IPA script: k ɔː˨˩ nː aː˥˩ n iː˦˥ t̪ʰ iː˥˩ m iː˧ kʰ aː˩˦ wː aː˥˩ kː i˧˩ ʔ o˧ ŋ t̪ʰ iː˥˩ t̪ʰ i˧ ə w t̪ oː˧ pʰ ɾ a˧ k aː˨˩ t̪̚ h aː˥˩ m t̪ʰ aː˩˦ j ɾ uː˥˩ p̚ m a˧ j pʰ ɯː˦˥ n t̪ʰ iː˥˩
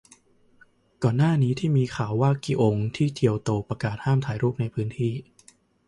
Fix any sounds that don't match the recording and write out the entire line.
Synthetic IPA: k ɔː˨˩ nː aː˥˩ n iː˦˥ t̪ʰ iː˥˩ m iː˧ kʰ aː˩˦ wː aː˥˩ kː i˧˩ ʔ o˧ ŋ t̪ʰ iː˥˩ t̪ʰ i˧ ə w t̪ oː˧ p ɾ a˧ k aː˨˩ t̪̚ h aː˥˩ m t̪ʰ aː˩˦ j ɾ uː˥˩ p̚ n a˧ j pʰ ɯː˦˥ n t̪ʰ iː˥˩